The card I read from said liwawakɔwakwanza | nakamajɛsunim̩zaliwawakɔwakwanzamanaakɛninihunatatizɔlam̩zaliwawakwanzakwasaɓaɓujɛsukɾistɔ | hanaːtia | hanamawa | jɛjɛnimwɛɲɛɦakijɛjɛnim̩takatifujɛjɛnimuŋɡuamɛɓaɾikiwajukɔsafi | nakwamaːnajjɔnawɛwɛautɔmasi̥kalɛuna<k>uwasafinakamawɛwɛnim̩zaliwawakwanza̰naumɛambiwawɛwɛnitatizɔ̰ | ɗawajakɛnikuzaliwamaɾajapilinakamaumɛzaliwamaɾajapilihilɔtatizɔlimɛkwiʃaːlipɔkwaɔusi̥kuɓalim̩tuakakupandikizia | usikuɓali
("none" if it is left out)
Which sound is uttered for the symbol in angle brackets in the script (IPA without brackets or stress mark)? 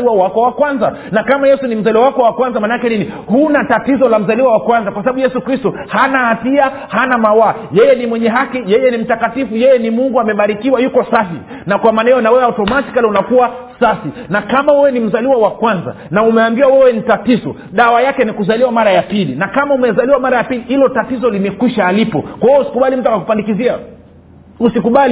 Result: k